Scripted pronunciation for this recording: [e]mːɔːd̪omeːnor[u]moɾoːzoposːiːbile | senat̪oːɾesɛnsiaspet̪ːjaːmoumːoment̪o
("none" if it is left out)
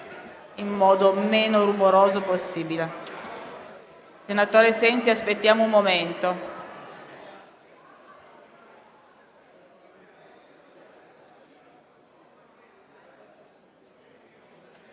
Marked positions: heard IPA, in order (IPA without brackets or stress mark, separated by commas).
i, u